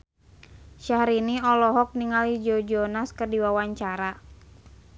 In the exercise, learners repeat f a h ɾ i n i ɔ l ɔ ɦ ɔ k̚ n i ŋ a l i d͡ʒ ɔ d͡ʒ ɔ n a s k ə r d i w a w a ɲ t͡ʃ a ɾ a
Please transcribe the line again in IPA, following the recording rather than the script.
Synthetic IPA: ʃ a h ɾ i n i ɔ l ɔ ɦ ɔ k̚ n i ŋ a l i d͡ʒ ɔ d͡ʒ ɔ n a s k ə r d i w a w a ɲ t͡ʃ a ɾ a